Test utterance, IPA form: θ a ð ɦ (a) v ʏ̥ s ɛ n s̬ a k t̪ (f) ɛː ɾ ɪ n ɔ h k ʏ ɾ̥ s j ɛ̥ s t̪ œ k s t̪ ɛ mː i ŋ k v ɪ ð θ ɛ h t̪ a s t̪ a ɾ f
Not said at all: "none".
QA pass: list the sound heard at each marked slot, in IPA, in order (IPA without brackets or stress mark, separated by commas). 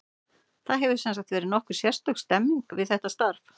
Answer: ɛ, v